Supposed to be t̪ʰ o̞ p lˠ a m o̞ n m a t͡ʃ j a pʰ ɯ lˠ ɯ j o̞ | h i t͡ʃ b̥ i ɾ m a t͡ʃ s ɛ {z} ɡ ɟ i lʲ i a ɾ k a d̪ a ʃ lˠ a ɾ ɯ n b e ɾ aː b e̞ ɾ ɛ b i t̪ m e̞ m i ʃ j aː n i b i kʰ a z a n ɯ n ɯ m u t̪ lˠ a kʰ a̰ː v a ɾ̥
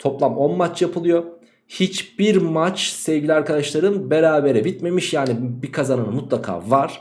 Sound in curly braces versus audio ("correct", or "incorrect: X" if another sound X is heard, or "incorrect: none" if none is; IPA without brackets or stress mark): incorrect: v